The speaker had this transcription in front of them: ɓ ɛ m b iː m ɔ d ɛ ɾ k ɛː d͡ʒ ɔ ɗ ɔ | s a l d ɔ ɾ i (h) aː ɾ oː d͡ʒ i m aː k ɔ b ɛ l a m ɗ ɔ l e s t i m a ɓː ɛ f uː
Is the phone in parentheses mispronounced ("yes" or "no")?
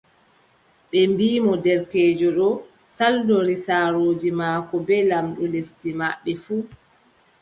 yes